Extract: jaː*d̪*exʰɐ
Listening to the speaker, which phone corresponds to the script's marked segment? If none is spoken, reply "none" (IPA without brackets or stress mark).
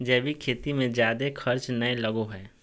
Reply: d̪